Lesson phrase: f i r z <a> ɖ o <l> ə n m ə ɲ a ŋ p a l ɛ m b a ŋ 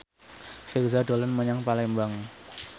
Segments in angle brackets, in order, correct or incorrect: correct, correct

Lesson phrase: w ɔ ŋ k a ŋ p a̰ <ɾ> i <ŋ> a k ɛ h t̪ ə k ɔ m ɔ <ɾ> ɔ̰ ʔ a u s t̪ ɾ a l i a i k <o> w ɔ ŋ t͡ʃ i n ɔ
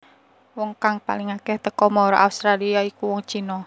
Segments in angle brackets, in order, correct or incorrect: incorrect: l, correct, correct, incorrect: u

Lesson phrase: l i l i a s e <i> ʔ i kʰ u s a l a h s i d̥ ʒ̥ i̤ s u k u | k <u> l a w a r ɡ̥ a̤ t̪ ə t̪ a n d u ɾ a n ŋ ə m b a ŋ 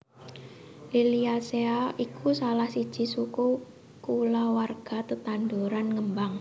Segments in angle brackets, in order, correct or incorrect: incorrect: a, correct

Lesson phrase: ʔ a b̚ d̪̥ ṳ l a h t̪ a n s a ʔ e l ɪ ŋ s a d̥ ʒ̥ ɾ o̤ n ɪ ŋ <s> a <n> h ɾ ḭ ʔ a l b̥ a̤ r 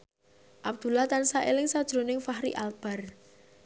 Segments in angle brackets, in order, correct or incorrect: incorrect: f, incorrect: none

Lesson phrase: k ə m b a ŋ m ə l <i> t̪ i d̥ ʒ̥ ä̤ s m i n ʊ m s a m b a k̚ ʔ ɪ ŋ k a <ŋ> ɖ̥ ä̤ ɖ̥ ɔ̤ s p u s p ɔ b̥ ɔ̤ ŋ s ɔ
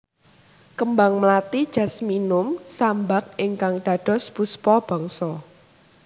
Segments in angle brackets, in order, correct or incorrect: incorrect: a, correct

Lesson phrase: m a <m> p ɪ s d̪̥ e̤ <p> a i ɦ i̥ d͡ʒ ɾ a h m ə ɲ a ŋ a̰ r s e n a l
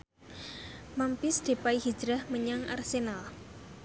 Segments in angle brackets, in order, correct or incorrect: correct, correct

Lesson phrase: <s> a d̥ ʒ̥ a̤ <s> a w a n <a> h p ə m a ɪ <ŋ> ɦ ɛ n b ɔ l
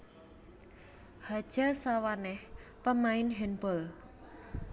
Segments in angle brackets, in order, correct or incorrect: incorrect: h, correct, incorrect: ɛ, incorrect: n

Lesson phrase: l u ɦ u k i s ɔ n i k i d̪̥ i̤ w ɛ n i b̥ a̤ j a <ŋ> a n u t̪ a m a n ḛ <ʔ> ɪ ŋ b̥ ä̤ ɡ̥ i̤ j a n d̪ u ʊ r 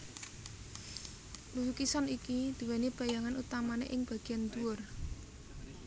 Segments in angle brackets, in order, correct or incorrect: correct, correct

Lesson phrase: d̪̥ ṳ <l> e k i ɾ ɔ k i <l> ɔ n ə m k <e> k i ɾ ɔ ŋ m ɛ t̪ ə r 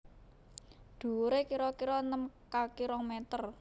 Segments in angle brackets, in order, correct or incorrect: incorrect: ɾ, incorrect: ɾ, incorrect: a

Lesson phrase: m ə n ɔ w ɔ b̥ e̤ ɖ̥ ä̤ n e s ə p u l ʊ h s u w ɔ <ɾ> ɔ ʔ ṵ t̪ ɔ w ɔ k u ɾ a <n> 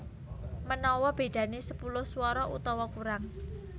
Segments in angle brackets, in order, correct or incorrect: correct, incorrect: ŋ

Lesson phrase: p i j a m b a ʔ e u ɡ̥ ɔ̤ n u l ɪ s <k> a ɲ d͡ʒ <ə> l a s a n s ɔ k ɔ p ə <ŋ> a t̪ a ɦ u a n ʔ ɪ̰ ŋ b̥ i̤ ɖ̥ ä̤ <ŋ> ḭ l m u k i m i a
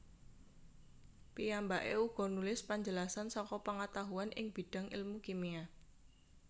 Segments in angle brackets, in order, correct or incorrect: incorrect: p, correct, correct, correct

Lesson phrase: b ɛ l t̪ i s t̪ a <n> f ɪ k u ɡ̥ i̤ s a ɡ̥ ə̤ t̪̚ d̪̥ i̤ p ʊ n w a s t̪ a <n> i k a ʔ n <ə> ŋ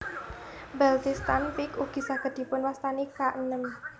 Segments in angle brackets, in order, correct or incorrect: correct, correct, correct

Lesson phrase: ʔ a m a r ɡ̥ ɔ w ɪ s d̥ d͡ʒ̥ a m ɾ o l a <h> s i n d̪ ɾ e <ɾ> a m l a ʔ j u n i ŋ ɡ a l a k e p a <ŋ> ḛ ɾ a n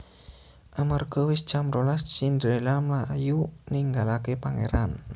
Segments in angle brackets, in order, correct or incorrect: incorrect: s, incorrect: l, correct

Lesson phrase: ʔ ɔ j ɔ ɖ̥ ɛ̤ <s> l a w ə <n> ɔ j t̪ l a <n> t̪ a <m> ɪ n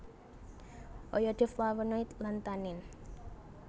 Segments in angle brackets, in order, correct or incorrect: incorrect: f, correct, correct, incorrect: n

